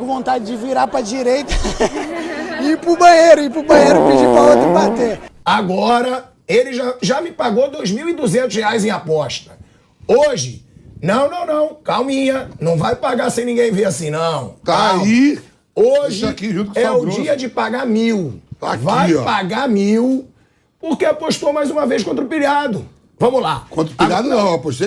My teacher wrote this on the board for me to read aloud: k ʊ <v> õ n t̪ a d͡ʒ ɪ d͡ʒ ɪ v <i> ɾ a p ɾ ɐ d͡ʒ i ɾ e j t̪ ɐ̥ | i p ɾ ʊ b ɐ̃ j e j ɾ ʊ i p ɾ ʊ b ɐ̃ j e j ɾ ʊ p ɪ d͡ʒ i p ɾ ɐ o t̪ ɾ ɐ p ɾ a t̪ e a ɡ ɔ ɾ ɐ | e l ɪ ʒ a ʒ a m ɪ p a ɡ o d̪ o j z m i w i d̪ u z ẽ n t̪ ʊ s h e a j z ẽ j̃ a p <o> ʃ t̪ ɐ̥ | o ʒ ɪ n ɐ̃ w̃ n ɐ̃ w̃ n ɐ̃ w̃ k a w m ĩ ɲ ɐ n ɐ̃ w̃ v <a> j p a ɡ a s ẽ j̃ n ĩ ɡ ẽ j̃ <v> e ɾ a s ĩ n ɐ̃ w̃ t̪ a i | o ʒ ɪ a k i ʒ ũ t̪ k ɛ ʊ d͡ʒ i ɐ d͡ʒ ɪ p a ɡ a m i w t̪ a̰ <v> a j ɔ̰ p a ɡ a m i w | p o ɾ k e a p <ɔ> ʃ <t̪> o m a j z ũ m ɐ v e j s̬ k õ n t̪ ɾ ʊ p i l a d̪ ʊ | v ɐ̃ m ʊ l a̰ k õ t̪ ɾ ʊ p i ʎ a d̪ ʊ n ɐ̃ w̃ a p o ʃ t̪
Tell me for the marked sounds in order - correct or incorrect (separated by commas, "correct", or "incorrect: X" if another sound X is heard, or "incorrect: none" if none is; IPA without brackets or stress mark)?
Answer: correct, correct, incorrect: ɔ, correct, correct, correct, incorrect: o, correct